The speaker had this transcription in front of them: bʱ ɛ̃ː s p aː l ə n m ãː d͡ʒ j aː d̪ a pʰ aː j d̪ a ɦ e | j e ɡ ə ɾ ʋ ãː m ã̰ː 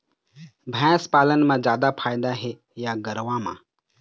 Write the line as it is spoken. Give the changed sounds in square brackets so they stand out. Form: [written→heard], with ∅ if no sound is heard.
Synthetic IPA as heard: bʱ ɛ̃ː s p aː l ə n m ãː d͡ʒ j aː d̪ a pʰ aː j d̪ a ɦ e | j [e→a] ɡ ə ɾ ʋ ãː m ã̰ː